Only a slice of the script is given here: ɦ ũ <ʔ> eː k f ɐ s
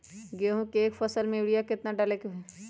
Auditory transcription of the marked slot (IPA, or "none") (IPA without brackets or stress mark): k